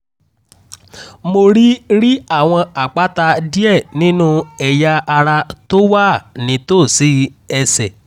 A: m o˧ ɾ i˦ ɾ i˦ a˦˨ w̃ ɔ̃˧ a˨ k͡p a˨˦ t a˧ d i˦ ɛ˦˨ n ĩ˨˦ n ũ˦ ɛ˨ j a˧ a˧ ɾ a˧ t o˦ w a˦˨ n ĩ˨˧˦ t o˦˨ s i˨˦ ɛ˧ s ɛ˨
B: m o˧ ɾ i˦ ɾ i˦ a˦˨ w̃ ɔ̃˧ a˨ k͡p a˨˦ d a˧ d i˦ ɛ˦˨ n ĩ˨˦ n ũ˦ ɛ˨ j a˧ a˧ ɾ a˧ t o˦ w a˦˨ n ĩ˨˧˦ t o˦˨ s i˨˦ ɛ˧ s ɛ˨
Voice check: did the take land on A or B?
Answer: A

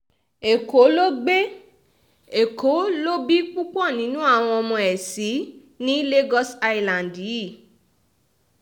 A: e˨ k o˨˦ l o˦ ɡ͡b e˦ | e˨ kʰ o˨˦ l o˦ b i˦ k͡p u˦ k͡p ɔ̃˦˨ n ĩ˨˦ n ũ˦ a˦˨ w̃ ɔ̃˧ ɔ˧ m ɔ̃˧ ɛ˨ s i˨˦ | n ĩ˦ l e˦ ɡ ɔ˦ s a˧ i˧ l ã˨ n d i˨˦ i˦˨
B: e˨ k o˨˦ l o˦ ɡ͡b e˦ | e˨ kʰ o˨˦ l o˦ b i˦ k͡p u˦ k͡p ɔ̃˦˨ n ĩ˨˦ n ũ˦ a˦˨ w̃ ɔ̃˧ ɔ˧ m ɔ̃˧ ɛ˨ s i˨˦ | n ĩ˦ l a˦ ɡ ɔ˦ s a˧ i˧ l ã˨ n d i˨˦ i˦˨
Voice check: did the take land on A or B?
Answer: A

